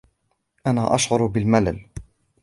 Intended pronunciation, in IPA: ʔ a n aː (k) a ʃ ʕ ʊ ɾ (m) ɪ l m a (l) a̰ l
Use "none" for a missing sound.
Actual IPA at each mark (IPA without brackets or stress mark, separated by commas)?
ʔ, b, l